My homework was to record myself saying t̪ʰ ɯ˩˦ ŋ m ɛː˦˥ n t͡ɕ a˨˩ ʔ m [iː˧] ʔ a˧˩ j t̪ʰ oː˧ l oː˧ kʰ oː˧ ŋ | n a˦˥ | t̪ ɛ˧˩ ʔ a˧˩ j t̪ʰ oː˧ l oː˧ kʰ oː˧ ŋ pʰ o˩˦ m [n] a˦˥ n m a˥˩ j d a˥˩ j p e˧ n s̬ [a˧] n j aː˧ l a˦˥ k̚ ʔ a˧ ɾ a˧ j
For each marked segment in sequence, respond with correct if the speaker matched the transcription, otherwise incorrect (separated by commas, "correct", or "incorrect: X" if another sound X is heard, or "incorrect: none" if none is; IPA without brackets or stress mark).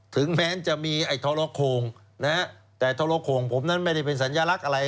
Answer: correct, correct, incorrect: a˩˦